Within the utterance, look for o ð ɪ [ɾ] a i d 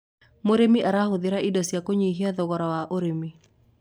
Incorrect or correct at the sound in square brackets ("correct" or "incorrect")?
correct